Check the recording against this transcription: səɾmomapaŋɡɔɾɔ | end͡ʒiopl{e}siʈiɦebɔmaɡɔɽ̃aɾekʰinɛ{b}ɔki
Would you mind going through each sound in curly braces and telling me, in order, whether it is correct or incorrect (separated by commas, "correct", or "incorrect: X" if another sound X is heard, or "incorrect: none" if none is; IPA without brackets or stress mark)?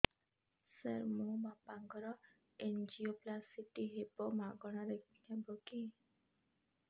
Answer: incorrect: a, correct